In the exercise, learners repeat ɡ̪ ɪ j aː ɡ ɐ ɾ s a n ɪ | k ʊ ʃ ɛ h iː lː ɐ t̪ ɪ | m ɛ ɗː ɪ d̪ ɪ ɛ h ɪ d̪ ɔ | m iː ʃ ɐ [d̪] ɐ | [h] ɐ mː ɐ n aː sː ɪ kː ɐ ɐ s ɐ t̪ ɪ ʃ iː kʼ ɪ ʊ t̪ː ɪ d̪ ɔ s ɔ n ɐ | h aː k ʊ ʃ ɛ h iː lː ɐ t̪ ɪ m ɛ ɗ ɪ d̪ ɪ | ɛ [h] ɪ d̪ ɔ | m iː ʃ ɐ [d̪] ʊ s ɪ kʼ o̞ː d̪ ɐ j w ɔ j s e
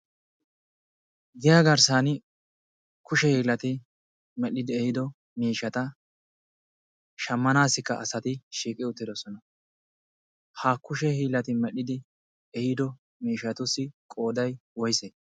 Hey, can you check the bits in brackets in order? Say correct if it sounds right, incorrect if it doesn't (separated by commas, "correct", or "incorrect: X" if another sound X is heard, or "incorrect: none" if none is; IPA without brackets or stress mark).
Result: incorrect: t̪, incorrect: ʃ, correct, incorrect: t̪